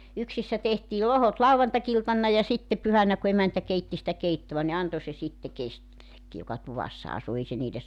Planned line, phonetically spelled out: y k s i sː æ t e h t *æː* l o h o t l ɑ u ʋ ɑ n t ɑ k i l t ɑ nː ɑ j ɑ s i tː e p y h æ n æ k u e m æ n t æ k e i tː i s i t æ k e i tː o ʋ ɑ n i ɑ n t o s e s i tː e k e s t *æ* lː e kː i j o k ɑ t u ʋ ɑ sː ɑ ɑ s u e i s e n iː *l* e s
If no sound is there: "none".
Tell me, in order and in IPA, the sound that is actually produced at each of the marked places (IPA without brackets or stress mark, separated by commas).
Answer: iː, i, l